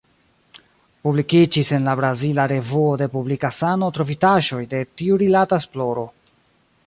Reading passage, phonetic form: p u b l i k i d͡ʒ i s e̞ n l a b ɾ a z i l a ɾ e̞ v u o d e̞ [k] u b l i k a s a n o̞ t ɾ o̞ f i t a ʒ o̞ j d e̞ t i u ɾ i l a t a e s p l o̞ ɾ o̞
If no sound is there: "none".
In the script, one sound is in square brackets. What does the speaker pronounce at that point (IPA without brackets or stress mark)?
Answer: p